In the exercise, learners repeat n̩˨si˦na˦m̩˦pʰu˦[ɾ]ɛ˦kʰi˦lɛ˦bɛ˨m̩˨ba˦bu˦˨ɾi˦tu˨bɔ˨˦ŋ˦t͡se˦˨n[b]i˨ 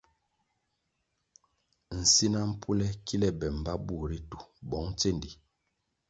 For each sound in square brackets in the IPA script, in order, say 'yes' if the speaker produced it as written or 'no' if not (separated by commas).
no, no